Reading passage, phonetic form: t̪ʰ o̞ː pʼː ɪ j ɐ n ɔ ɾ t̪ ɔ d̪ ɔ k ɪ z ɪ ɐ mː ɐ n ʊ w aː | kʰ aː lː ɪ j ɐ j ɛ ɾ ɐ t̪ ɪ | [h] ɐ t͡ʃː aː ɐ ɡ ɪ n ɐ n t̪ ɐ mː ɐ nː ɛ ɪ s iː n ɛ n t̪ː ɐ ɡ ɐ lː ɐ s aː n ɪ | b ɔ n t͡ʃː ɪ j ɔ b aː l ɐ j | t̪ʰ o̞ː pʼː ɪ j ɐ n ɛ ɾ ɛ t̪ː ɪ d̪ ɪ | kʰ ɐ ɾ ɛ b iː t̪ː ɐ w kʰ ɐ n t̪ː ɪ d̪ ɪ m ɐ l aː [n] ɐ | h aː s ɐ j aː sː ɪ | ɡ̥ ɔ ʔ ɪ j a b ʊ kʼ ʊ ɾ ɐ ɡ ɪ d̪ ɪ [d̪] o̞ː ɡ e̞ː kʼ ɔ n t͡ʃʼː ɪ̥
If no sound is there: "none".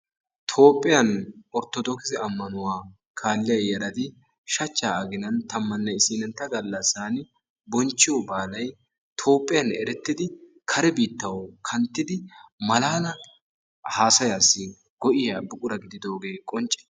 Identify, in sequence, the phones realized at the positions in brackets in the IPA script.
ʃ, n, d̪

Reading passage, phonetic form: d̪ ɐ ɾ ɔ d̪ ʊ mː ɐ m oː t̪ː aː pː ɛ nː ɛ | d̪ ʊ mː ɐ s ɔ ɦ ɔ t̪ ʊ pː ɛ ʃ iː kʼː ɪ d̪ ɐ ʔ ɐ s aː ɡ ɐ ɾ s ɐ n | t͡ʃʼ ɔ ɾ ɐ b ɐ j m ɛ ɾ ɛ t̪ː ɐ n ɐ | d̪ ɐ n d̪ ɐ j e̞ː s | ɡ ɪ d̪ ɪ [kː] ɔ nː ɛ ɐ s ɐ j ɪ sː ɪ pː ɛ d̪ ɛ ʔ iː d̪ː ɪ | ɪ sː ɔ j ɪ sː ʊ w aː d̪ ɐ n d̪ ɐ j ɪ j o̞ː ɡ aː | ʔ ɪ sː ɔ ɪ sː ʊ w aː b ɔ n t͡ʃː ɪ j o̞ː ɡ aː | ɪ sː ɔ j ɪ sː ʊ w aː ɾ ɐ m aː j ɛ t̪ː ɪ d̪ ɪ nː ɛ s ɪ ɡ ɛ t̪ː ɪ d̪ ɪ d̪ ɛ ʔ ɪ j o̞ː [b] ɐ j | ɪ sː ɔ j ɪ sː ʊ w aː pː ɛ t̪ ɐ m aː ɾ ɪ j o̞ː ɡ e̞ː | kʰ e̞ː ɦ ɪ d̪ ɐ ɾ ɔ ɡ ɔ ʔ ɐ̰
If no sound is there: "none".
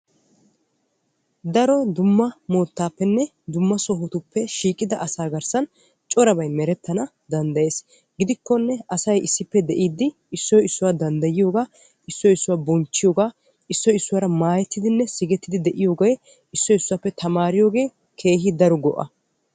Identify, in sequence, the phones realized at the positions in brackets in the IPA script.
kː, ɡ

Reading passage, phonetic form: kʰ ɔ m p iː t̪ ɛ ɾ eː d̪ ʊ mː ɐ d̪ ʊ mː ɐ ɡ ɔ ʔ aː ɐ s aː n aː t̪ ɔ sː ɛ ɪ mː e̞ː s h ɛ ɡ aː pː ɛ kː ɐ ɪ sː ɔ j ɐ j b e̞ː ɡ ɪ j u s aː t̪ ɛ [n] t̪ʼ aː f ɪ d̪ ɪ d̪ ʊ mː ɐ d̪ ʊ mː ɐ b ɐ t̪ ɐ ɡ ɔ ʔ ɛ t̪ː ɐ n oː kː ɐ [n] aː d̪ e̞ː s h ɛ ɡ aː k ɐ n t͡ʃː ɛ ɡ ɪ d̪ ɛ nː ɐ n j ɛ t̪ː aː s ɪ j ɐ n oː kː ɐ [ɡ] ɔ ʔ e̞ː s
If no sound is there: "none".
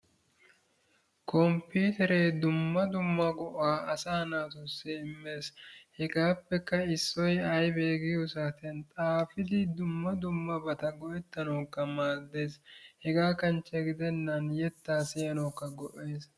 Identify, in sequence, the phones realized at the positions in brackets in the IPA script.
n, m, ɡ

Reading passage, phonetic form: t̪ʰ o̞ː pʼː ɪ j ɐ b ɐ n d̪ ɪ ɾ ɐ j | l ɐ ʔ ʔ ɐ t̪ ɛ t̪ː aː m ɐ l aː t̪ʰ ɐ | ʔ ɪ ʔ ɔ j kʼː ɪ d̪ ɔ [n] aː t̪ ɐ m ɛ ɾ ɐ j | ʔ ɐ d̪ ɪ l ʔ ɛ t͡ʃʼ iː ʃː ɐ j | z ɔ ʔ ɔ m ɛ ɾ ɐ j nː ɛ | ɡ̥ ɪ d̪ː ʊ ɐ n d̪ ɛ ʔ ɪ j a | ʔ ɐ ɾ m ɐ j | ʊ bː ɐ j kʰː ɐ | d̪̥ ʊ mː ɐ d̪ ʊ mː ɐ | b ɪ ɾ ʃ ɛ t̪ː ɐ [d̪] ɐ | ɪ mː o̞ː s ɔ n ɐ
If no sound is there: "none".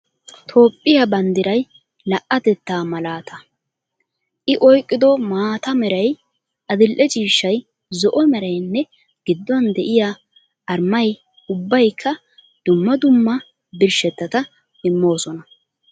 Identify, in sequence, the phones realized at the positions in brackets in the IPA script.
m, t̪

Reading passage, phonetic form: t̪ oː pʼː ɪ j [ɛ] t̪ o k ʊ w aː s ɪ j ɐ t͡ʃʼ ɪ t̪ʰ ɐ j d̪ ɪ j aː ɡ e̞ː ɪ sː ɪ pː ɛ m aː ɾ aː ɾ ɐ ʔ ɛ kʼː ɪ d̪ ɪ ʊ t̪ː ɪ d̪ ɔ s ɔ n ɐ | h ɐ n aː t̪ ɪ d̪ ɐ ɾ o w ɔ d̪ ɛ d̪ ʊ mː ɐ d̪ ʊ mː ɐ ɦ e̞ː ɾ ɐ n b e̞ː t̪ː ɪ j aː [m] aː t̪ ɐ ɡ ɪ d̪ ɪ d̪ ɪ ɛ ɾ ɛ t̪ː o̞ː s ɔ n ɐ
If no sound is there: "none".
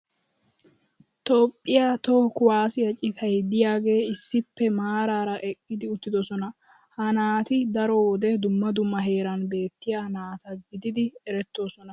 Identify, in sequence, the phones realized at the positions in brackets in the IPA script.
a, n

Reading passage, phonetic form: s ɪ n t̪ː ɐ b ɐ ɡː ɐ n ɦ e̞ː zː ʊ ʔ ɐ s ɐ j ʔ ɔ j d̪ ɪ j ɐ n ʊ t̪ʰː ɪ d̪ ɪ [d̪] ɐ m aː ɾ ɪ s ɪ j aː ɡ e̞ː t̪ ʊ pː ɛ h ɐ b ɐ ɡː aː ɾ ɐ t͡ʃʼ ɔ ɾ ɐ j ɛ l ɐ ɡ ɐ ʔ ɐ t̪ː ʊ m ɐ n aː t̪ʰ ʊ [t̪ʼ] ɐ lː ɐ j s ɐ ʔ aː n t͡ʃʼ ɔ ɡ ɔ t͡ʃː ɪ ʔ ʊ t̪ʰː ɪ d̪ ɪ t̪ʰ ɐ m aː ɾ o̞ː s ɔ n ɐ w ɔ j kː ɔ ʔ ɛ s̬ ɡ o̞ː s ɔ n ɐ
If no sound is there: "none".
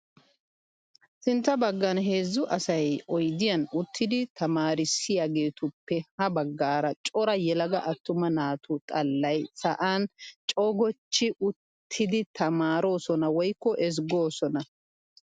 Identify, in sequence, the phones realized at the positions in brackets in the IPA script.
t̪, t̪ʼ

